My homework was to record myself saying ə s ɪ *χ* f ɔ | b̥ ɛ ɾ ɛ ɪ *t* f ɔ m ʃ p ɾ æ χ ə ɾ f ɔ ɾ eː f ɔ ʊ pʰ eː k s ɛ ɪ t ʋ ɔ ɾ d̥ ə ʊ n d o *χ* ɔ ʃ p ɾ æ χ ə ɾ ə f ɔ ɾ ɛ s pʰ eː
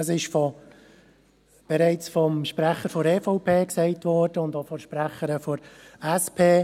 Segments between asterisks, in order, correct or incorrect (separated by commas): incorrect, incorrect, incorrect